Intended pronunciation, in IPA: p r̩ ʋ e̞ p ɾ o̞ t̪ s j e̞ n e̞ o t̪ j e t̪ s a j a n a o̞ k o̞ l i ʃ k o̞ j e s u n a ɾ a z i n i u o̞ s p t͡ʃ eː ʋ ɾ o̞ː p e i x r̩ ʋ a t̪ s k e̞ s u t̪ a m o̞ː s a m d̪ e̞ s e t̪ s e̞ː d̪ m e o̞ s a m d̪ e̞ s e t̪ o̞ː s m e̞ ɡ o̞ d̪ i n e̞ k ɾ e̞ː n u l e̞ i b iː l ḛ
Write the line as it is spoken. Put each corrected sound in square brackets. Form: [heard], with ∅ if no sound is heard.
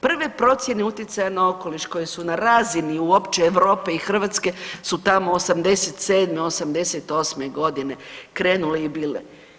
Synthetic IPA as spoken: p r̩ ʋ e̞ p ɾ o̞ t̪ s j e̞ n e̞ [u] t̪ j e t̪ s a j a n a o̞ k o̞ l i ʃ k o̞ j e s u n a ɾ a z i n i u o̞ [∅] p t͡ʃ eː ʋ ɾ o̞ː p e i x r̩ ʋ a t̪ s k e̞ s u t̪ a m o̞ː s a m d̪ e̞ s e t̪ s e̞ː d̪ m e o̞ s a m d̪ e̞ s e t̪ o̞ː s m e̞ ɡ o̞ d̪ i n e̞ k ɾ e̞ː n u l e̞ i b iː l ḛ